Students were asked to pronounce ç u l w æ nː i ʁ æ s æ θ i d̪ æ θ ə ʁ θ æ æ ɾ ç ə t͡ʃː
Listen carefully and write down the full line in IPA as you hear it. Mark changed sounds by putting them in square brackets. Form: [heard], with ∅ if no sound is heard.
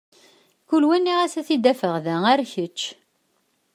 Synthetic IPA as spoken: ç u l w æ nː i ʁ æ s æ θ i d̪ æ [f] ə ʁ [ð] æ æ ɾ ç ə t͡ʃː